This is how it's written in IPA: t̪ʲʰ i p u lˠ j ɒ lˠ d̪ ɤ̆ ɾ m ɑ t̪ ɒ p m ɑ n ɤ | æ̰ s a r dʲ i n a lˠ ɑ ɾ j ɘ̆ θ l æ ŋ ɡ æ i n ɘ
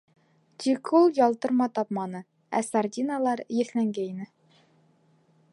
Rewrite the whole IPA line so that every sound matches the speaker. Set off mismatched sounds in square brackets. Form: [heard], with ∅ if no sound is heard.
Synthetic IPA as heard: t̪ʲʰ i [k] u lˠ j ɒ lˠ [t̪] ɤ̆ ɾ m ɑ t̪ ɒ p m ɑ n ɤ | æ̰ s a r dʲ i n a lˠ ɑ ɾ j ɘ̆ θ l æ ŋ ɡ æ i n ɘ